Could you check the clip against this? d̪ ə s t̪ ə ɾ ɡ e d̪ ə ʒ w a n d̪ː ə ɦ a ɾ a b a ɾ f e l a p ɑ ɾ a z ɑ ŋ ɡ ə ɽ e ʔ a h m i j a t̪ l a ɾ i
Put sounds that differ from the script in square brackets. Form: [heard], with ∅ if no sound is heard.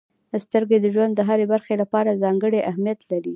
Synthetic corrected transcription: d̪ ə s t̪ ə ɾ ɡ e d̪ ə ʒ w a n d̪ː ə ɦ a ɾ [e] b a ɾ [x] e l a p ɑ ɾ a z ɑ ŋ ɡ ə ɽ e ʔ a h m i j a t̪ l a ɾ i